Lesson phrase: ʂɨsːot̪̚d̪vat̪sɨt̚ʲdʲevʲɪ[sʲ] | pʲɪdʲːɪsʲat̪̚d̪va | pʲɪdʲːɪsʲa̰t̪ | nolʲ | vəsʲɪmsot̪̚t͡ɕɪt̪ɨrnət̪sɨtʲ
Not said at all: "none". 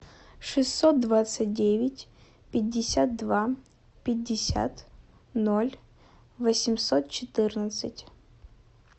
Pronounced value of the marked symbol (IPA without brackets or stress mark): tʲ